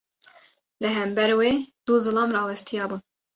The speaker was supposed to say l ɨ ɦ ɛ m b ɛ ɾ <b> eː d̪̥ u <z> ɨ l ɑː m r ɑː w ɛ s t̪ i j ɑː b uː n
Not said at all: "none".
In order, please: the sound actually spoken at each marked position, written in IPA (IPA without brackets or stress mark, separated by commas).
w, z